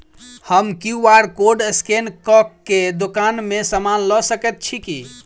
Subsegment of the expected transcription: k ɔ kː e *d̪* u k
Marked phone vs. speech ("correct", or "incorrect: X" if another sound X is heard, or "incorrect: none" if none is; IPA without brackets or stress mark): correct